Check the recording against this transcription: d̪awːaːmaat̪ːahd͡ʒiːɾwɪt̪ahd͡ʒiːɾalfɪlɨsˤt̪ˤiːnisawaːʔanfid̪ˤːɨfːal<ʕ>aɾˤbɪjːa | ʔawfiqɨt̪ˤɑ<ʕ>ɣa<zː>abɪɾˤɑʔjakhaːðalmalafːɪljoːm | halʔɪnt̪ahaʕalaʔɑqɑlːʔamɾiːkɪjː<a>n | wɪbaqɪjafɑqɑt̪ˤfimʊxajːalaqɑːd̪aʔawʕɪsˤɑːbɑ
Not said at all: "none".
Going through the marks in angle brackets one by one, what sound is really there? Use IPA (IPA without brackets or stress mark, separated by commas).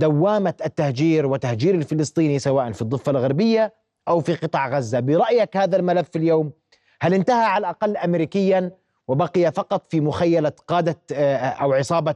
ɣ, ʕ, zː, a